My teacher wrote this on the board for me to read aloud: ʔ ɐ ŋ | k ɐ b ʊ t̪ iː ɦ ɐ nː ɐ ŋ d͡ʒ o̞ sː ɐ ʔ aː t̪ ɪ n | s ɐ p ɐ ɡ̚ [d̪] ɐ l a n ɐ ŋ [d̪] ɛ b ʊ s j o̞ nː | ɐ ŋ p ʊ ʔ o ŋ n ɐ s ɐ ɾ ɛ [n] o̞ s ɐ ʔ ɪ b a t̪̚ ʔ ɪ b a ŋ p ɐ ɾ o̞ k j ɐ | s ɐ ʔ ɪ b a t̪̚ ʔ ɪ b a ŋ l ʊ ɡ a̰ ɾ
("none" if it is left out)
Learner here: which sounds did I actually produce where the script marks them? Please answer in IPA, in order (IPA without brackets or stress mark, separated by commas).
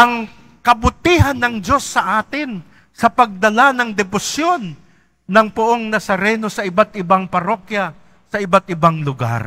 d̪, d̪, n